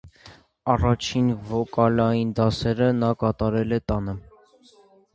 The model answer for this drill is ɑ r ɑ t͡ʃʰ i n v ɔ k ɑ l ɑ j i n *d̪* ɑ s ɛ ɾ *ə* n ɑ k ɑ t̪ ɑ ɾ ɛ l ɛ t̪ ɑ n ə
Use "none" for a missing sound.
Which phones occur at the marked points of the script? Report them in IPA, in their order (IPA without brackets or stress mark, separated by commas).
d̪, ə